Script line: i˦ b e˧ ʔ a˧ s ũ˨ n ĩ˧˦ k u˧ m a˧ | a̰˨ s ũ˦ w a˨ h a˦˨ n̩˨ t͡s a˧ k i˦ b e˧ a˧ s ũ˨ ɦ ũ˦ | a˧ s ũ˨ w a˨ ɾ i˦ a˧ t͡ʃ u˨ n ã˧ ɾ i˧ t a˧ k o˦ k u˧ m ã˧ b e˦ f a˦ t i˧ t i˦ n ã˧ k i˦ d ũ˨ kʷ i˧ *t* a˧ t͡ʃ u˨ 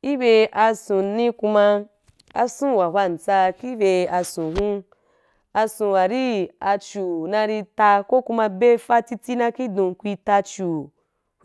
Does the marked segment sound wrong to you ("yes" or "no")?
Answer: no